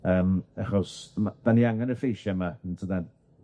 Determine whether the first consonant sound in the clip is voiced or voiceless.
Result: voiced